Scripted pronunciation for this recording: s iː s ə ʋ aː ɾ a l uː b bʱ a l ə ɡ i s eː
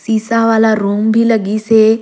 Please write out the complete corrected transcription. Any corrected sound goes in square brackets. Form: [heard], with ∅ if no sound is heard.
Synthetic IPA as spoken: s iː s [a] ʋ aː [l] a [ɾ] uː [m] bʱ [i] l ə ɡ i s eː